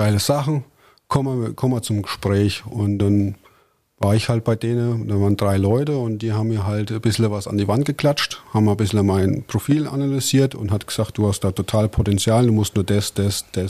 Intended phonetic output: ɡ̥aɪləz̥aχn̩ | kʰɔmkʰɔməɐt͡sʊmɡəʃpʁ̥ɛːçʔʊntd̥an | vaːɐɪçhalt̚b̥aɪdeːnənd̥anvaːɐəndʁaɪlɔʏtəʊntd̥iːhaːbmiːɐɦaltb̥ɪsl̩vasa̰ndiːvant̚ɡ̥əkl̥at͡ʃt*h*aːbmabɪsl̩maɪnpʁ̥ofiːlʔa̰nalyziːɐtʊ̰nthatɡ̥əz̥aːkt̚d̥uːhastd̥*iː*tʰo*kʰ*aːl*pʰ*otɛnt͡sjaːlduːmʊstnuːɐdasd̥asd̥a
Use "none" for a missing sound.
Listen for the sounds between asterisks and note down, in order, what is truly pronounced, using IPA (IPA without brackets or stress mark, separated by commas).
h, aː, tʰ, pʰ